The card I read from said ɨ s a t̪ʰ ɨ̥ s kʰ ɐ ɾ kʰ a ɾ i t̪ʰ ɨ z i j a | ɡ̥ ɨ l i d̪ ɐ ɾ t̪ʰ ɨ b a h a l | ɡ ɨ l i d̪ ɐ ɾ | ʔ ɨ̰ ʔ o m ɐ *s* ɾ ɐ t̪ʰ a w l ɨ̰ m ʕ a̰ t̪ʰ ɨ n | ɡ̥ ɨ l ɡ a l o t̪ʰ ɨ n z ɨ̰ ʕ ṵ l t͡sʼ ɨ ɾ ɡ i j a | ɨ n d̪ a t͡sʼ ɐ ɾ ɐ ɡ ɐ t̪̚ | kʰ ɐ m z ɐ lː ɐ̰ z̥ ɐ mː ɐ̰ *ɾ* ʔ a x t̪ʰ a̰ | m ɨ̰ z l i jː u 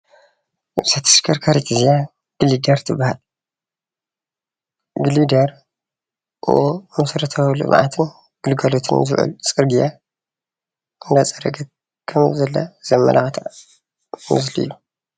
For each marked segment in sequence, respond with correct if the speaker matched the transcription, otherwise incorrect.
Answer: correct, incorrect: l

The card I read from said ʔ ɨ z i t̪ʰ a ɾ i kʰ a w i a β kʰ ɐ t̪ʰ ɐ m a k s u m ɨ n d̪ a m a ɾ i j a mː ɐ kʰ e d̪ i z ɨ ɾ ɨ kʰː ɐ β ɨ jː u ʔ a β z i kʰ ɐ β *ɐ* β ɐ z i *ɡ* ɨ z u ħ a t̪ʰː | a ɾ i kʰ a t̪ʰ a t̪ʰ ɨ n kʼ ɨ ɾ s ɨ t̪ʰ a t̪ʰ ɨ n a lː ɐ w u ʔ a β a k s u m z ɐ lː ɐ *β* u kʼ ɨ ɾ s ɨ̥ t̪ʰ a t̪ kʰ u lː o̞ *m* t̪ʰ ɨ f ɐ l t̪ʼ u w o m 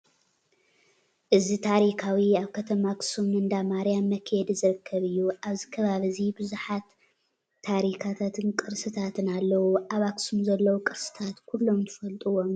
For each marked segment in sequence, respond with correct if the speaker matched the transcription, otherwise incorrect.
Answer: incorrect: a, incorrect: b, incorrect: w, correct

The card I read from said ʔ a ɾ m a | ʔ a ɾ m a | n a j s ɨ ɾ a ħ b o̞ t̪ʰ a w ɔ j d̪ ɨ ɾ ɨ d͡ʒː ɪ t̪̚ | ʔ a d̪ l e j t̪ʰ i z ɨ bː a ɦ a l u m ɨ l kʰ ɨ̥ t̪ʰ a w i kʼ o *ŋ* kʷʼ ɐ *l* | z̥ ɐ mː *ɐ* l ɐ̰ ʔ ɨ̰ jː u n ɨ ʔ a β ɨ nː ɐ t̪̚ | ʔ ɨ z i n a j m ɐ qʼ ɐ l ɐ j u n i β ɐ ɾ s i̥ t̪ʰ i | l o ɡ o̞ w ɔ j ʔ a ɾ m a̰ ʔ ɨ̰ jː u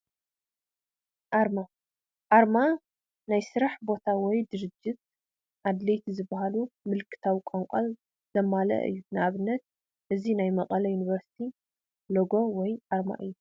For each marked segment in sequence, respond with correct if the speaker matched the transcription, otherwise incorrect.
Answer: correct, correct, incorrect: a

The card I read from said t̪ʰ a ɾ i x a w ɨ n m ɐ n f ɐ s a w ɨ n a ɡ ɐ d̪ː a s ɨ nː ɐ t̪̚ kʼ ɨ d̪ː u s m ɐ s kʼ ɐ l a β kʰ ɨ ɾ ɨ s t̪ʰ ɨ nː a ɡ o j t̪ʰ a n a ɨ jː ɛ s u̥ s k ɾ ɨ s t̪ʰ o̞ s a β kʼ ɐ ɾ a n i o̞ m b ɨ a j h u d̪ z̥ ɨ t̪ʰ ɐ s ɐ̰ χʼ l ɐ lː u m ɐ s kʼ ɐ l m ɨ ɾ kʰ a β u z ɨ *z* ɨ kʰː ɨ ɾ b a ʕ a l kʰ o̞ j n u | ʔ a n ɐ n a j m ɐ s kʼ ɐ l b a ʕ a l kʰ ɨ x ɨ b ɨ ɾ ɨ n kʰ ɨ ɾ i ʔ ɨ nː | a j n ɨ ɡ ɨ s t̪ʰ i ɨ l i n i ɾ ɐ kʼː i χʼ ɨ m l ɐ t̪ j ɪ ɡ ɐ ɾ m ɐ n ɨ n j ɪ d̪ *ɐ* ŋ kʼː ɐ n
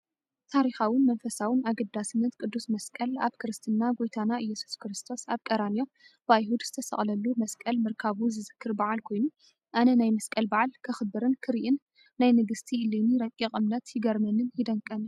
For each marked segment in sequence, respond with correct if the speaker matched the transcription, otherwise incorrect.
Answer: correct, correct

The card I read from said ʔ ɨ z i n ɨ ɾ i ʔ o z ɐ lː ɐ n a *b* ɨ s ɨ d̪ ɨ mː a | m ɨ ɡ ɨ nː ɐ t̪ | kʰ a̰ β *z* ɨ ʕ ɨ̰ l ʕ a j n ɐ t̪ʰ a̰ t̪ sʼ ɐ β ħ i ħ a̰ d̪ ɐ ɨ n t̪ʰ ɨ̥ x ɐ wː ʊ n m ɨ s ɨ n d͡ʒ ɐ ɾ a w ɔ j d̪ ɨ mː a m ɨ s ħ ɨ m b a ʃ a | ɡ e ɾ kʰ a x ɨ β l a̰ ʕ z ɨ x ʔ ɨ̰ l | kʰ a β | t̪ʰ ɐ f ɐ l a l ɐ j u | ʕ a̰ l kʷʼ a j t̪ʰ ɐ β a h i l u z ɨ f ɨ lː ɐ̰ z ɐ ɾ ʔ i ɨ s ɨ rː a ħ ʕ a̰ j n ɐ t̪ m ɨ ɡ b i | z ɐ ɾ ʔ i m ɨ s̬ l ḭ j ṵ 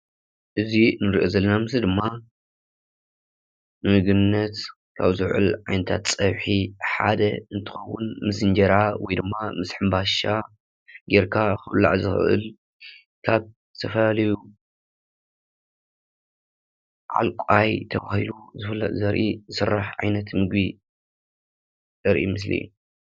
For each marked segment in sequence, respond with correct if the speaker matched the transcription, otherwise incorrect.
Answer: incorrect: m, correct

